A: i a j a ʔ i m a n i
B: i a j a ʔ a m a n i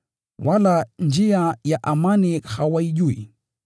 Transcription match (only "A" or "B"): B